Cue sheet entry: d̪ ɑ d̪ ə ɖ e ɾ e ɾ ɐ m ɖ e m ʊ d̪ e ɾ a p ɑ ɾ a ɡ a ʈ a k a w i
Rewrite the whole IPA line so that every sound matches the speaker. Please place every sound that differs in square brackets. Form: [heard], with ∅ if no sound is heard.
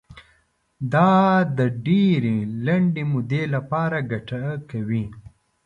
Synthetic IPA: d̪ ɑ d̪ ə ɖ e ɾ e [l] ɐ [ɳ] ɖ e m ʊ d̪ e [l] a p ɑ ɾ a ɡ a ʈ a k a w i